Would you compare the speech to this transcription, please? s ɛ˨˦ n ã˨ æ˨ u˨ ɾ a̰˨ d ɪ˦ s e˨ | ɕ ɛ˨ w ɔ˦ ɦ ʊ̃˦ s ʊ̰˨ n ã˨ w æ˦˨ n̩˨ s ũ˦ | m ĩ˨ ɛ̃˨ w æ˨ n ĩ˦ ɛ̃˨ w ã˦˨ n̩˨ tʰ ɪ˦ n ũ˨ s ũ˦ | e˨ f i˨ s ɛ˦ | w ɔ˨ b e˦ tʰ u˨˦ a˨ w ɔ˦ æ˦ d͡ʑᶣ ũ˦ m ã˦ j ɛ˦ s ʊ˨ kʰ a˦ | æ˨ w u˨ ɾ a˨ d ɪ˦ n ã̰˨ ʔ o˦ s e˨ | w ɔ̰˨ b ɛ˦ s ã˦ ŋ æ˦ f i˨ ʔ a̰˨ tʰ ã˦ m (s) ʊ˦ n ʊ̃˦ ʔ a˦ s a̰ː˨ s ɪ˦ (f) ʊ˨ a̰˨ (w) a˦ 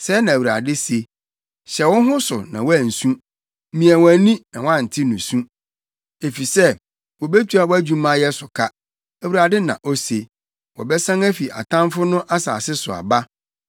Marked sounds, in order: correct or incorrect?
incorrect, incorrect, incorrect

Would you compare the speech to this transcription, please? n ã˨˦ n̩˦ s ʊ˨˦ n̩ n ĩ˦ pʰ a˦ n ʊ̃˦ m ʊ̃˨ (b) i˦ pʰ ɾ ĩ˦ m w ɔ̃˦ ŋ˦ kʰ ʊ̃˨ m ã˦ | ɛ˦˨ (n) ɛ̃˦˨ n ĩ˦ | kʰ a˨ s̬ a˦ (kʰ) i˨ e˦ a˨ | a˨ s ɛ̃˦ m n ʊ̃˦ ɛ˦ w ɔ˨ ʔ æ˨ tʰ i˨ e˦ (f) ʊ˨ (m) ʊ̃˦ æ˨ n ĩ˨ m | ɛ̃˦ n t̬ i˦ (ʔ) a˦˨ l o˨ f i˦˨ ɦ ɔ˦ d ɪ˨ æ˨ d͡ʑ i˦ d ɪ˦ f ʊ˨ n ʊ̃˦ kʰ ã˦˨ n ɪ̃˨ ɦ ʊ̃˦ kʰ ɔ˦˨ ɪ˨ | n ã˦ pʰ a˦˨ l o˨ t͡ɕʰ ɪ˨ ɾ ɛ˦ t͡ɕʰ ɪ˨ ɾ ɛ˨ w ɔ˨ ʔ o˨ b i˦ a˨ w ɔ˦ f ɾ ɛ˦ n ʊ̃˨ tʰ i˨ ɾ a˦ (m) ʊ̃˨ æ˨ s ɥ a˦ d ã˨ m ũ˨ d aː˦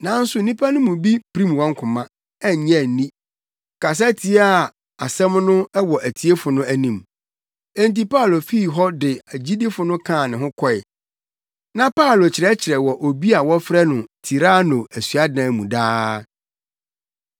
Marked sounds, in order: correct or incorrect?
correct, incorrect, incorrect, correct, incorrect, incorrect, incorrect

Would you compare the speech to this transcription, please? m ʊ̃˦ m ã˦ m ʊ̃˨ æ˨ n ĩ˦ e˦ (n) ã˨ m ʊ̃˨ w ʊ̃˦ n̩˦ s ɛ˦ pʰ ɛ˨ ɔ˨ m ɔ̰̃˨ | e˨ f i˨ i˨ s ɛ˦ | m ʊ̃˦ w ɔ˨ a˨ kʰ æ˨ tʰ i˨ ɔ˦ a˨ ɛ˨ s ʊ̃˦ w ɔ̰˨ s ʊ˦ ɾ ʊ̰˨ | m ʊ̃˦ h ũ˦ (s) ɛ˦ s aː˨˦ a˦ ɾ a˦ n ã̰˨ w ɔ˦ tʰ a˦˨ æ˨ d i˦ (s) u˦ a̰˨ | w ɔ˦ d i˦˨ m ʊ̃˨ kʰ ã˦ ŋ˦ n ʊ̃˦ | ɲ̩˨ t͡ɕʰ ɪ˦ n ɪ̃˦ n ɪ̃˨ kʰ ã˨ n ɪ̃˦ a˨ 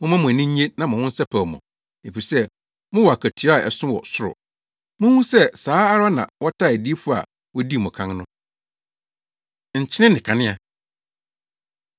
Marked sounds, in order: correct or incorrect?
correct, correct, incorrect

